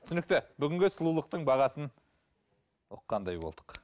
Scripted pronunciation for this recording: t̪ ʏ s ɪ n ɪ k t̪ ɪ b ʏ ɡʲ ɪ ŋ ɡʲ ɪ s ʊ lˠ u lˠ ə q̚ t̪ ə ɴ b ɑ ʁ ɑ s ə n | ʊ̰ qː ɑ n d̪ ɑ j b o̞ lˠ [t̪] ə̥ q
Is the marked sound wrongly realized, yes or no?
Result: yes